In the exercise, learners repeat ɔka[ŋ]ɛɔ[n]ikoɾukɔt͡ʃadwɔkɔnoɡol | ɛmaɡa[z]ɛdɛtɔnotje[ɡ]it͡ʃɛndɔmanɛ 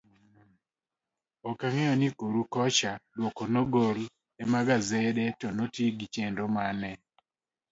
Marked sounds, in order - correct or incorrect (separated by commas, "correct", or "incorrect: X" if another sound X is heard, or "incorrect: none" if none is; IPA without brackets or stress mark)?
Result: correct, correct, correct, correct